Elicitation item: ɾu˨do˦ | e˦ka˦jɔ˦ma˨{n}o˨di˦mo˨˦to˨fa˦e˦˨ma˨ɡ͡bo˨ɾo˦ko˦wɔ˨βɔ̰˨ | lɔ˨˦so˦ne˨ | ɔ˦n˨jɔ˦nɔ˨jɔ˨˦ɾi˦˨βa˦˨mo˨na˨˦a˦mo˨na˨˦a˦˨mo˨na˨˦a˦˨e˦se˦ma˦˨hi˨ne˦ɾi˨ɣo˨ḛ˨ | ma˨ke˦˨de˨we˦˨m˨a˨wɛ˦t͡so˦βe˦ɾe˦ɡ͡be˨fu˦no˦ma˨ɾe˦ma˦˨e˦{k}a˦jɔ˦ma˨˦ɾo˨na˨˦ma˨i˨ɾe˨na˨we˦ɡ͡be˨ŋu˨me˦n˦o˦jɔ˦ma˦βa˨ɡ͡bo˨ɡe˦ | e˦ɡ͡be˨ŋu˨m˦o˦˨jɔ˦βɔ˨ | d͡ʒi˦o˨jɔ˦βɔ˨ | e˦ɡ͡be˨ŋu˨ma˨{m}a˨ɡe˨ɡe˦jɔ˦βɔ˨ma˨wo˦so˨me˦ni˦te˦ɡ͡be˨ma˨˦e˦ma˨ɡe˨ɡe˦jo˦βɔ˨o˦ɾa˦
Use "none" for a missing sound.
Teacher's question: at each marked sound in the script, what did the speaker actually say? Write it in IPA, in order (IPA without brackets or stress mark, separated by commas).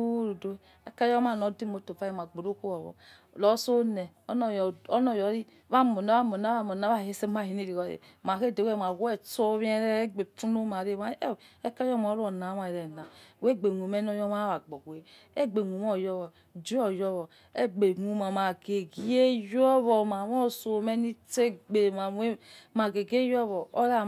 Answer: n, k, m